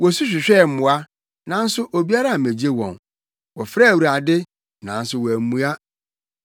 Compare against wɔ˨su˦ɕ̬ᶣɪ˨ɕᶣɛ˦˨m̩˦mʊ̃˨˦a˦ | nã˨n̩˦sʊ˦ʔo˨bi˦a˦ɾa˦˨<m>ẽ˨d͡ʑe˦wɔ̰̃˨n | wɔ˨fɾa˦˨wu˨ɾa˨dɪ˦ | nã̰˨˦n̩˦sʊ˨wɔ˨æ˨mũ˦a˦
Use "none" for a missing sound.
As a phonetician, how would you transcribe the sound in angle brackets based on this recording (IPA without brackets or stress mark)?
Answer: m